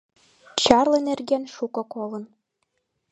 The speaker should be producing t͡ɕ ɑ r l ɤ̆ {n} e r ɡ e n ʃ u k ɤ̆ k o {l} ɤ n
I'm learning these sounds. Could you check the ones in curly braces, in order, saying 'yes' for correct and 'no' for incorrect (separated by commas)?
yes, yes